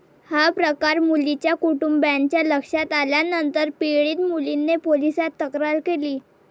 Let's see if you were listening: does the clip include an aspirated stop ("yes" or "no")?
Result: no